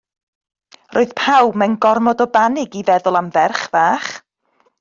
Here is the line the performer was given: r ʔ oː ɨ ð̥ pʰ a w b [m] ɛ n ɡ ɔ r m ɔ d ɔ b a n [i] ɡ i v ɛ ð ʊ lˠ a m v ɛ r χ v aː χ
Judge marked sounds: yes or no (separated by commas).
yes, no